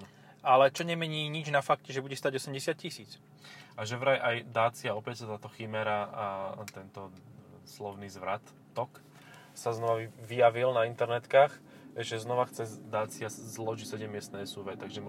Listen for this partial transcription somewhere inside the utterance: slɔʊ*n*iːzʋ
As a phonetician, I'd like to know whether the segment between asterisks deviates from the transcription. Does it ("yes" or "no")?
no